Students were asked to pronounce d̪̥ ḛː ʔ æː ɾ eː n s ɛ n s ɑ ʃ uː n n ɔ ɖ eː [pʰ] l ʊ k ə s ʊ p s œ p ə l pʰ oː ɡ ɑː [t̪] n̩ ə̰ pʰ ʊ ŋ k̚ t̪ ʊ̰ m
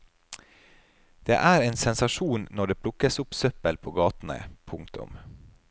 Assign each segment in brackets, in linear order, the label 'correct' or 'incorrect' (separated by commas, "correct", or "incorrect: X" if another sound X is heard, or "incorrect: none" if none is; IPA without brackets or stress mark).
correct, correct